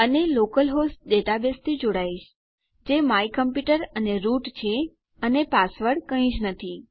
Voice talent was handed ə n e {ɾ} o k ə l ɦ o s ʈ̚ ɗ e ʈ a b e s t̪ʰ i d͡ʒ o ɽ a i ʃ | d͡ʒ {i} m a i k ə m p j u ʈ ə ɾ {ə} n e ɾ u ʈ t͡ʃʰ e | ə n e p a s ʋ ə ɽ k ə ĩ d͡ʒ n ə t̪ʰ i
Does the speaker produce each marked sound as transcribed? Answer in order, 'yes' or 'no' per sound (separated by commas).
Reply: no, no, yes